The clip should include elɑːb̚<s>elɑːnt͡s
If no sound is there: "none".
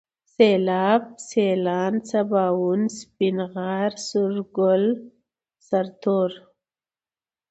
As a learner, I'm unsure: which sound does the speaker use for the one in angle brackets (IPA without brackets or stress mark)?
s